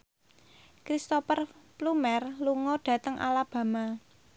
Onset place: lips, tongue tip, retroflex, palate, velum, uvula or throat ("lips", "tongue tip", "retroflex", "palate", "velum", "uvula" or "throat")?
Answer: velum